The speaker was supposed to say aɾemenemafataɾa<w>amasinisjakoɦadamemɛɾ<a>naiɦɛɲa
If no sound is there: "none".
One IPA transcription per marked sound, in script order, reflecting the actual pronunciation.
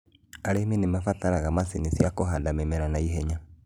ɣ, a

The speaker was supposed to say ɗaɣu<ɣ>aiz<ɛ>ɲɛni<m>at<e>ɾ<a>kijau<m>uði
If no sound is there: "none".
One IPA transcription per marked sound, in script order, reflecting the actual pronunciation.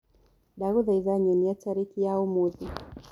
ð, a, none, a, i, m

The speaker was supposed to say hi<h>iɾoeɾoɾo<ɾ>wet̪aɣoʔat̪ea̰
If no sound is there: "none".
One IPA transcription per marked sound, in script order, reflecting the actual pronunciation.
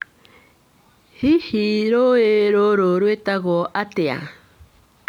h, ɾ

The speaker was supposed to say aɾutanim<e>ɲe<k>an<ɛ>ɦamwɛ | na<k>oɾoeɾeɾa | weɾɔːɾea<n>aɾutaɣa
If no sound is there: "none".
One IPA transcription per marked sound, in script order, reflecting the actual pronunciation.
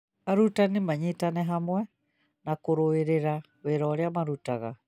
a, t, ɛ, k, m

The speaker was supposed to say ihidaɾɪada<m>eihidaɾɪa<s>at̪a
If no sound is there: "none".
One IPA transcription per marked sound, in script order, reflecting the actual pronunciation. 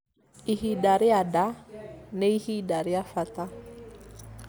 n, f

